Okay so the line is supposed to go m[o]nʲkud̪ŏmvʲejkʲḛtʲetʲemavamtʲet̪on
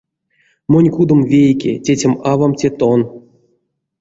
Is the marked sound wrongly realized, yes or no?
no